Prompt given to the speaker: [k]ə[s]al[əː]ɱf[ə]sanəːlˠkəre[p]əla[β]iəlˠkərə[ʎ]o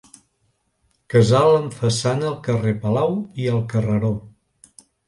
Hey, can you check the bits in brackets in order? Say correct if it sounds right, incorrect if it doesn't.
correct, incorrect, incorrect, correct, correct, incorrect, incorrect

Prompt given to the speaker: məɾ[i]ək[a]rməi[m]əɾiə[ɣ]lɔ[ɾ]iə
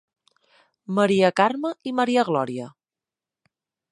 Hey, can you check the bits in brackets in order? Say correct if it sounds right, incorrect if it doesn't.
correct, correct, correct, correct, correct

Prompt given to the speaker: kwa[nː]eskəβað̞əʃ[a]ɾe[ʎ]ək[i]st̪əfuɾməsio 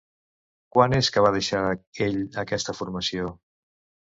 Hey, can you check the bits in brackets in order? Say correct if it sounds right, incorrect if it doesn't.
incorrect, correct, correct, incorrect

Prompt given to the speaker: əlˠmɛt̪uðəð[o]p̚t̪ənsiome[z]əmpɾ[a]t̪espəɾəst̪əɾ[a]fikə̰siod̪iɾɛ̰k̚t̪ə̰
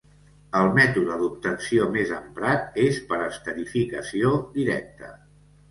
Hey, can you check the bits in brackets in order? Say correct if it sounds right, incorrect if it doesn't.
incorrect, correct, correct, incorrect

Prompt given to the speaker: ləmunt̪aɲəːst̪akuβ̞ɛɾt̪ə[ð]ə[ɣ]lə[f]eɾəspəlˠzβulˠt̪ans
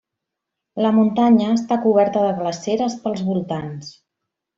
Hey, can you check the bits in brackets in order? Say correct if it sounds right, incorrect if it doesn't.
correct, correct, incorrect

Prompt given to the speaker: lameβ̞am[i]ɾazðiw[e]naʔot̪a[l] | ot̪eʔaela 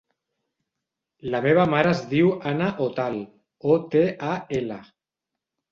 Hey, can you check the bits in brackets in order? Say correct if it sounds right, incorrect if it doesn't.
incorrect, incorrect, correct

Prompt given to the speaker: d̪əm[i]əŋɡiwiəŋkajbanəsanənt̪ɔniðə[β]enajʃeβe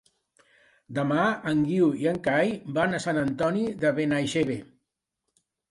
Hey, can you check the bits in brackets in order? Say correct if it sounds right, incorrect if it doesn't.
incorrect, correct

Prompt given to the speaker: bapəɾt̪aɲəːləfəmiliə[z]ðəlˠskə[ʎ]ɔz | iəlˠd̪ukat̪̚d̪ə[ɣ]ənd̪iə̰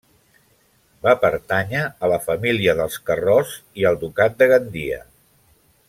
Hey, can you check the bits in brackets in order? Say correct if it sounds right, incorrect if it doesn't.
incorrect, incorrect, correct

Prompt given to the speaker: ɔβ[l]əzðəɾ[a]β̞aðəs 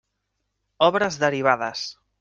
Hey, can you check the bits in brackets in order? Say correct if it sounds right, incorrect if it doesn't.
incorrect, incorrect

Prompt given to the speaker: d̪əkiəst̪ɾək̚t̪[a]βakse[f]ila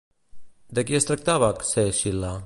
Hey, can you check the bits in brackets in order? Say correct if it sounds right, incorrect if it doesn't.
correct, incorrect

